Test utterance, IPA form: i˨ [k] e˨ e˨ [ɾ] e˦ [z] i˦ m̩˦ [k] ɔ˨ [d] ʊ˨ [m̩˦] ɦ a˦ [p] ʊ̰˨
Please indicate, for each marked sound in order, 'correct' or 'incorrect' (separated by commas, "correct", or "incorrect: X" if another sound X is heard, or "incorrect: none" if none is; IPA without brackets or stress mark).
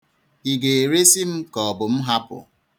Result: incorrect: ɡ, correct, incorrect: s, correct, incorrect: b, correct, correct